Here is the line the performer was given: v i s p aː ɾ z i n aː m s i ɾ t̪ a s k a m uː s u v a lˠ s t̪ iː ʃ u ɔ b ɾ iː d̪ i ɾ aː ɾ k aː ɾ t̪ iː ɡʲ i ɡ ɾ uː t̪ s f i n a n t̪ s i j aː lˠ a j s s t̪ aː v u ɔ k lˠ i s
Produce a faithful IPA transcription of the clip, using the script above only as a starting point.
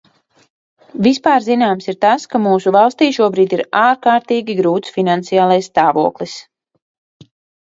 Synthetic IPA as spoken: v i s p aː ɾ z i n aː m s i ɾ t̪ a s k a m uː s u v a lˠ s t̪ iː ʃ u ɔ b ɾ iː d̪ i ɾ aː ɾ k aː ɾ t̪ iː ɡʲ i ɡ ɾ uː t̪ s f i n a n t̪ s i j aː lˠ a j s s t̪ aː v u ɔ k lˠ i s